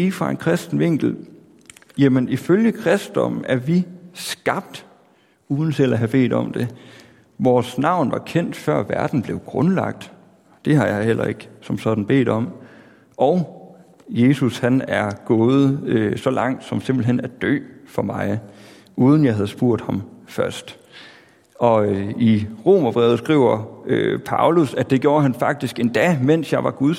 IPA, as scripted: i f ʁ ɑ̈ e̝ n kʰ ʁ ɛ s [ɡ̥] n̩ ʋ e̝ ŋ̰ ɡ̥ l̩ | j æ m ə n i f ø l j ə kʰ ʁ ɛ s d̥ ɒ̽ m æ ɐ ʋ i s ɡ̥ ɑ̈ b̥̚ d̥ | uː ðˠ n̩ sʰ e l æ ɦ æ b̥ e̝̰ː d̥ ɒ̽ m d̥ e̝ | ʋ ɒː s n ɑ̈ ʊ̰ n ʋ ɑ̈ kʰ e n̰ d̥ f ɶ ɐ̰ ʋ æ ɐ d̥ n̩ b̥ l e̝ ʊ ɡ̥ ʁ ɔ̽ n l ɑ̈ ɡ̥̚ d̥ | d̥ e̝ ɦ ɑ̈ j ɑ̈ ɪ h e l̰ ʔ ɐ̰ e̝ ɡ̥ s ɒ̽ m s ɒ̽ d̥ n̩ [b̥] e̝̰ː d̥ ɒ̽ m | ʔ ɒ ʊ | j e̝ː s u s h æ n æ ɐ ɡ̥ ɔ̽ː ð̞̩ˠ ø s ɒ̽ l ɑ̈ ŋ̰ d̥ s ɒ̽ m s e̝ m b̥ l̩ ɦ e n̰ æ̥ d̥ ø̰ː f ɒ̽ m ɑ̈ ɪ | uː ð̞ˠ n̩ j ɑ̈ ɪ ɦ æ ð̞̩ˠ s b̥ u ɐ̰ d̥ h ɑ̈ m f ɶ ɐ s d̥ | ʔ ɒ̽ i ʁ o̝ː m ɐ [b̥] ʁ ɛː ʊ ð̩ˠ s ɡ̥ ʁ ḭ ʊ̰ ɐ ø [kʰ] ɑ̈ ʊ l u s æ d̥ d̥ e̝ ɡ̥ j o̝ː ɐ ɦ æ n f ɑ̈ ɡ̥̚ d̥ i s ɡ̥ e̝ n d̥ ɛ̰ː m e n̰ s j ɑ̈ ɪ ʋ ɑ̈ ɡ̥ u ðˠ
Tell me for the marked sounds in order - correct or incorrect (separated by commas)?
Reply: incorrect, correct, correct, incorrect